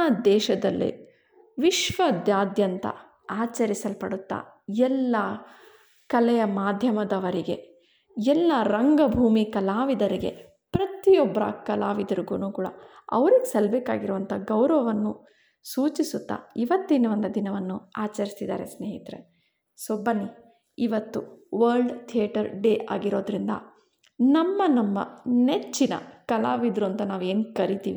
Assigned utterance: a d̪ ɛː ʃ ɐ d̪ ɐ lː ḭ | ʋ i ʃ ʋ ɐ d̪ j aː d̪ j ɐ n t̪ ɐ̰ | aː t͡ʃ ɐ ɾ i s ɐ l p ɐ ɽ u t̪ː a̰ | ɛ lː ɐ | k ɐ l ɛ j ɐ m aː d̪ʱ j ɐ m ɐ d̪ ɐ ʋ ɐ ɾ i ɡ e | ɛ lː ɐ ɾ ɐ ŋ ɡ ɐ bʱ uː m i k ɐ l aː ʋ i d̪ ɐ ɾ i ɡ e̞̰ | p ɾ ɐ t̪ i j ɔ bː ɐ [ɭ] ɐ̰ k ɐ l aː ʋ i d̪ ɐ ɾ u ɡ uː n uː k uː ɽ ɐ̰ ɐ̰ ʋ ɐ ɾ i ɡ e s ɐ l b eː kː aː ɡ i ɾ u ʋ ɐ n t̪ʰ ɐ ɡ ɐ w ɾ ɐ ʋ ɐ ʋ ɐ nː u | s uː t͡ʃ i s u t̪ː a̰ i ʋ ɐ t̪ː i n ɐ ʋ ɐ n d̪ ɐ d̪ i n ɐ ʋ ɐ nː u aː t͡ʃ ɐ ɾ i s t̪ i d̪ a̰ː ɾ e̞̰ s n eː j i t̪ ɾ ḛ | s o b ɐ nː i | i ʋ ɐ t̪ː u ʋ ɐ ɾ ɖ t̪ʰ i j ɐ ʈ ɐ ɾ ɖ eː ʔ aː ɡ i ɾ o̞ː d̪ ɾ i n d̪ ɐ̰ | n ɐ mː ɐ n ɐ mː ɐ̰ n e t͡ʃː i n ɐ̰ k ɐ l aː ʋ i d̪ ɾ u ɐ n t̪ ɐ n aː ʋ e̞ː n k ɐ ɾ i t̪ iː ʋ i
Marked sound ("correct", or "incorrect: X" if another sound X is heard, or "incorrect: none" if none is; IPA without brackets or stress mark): incorrect: ɾ